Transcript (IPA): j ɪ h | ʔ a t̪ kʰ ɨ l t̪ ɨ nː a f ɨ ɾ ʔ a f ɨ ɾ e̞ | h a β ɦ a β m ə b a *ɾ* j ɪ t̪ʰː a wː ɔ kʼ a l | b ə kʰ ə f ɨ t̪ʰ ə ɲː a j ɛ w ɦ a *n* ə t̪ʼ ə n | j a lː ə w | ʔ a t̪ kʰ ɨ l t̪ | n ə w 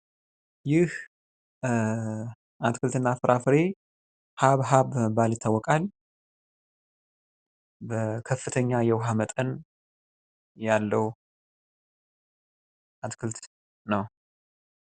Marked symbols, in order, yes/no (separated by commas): no, no